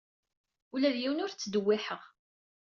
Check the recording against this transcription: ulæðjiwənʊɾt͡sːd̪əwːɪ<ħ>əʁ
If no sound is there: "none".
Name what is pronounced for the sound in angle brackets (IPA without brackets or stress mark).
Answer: ħ